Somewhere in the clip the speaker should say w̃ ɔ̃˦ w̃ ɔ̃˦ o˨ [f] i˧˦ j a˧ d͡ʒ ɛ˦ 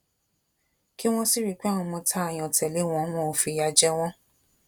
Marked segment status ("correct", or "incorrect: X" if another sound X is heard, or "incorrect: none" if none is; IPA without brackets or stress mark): correct